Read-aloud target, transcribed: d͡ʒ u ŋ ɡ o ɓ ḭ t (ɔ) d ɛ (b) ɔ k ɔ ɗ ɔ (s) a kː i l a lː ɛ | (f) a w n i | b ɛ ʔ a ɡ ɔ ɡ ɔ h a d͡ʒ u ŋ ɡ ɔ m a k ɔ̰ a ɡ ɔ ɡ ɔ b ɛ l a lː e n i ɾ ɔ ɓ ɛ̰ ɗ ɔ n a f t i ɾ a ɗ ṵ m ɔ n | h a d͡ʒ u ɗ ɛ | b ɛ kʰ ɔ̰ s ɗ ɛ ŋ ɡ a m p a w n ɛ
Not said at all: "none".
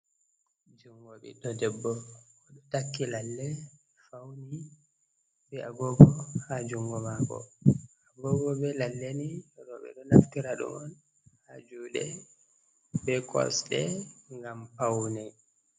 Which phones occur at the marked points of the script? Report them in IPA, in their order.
ɔ, bː, t, f

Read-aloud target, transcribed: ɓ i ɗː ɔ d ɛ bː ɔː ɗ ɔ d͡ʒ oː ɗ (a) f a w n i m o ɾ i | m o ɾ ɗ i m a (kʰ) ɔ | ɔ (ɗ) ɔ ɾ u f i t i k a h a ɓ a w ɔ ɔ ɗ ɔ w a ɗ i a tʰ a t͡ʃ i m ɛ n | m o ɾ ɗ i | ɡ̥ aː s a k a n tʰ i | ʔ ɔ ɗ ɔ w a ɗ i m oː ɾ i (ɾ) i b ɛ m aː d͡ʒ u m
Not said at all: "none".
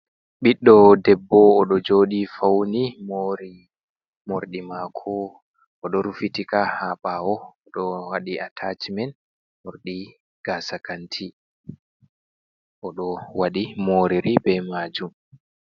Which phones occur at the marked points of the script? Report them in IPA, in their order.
i, kʰ, ɗ, ɾ

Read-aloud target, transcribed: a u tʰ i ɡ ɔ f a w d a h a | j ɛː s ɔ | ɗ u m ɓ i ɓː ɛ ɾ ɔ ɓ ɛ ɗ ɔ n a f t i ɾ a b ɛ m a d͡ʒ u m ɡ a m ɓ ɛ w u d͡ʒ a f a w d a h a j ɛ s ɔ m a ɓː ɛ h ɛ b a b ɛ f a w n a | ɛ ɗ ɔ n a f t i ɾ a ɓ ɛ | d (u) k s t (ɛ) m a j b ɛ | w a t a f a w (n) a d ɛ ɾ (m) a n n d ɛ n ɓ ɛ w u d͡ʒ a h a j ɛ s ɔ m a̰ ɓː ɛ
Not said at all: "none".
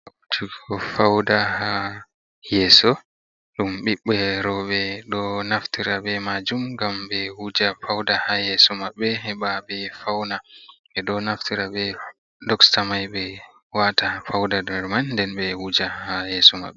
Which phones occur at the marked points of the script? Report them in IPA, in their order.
ɔ, a, d, m

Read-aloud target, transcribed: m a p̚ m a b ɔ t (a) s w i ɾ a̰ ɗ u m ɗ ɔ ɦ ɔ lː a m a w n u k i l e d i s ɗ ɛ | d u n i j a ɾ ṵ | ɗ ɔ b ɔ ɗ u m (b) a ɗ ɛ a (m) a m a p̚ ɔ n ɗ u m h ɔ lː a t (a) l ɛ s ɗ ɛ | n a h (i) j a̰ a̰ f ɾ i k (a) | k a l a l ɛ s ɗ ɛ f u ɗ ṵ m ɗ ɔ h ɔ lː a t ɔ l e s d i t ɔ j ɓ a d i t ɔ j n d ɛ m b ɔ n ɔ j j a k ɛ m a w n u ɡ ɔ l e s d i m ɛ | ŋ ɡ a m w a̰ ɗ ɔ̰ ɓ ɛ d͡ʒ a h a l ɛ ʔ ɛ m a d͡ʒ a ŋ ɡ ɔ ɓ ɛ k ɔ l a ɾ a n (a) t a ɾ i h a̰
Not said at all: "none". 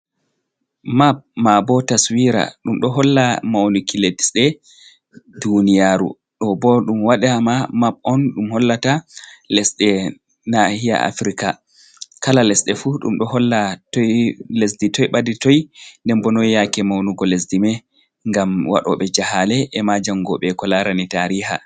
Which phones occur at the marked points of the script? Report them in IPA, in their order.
a, w, m, a, i, a, i

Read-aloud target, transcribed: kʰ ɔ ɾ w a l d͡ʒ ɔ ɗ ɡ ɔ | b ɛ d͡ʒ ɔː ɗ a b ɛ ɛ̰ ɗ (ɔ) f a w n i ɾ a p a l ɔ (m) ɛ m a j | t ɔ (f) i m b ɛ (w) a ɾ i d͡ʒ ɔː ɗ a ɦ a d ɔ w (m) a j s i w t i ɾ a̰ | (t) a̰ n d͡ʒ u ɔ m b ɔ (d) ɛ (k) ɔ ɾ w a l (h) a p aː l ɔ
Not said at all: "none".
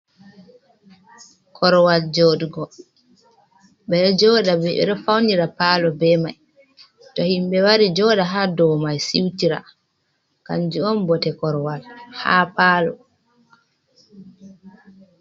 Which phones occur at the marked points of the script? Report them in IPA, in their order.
ɔ, b, h, w, m, k, t, k, h

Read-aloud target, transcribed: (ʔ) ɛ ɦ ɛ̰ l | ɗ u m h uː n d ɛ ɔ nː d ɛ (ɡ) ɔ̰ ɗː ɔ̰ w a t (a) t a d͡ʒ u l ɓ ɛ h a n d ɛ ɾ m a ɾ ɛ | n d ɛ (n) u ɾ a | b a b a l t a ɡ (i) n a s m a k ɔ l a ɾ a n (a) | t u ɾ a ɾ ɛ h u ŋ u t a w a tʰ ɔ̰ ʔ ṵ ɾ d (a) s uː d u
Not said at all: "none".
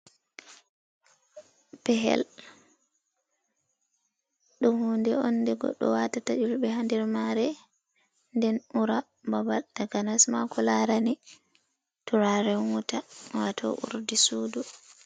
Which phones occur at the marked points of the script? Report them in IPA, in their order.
p, ɡ, a, n, a, i, i

